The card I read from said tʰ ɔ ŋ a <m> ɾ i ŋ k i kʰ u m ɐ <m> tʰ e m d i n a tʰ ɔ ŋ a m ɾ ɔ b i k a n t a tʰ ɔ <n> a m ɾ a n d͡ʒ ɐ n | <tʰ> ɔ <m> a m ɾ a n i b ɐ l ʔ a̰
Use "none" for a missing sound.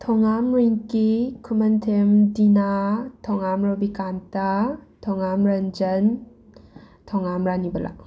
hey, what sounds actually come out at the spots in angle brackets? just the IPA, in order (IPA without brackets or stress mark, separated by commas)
m, n, ŋ, tʰ, ŋ